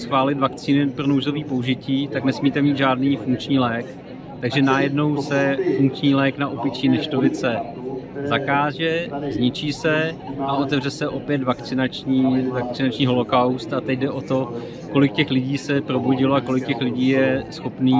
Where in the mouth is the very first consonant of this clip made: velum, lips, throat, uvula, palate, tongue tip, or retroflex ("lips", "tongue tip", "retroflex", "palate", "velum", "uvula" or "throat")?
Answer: tongue tip